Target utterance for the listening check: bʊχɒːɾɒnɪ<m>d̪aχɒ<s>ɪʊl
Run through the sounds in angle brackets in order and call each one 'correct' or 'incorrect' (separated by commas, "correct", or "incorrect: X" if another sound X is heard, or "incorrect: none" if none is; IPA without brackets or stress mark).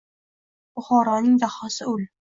incorrect: ŋ, correct